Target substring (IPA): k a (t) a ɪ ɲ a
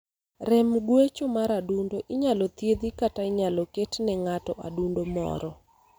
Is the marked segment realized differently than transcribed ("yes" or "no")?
no